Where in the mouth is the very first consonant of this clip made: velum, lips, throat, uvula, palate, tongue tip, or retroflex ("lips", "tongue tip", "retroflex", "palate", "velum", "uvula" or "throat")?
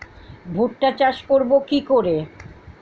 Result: lips